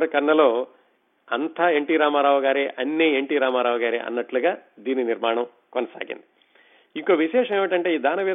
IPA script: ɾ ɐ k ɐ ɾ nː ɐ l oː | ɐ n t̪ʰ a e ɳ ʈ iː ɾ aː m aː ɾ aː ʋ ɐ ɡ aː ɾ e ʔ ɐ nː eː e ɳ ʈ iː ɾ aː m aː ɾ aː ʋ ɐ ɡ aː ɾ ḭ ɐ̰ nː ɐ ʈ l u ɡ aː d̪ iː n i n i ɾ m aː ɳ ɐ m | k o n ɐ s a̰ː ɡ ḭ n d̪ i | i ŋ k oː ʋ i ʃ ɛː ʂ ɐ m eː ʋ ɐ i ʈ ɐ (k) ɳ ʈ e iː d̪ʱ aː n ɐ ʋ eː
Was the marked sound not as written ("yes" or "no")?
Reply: yes